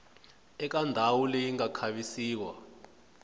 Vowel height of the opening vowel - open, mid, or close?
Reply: mid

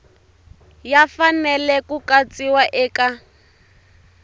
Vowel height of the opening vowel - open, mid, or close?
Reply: open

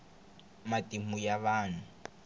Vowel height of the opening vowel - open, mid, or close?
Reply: open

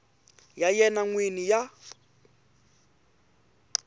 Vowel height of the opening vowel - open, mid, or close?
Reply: open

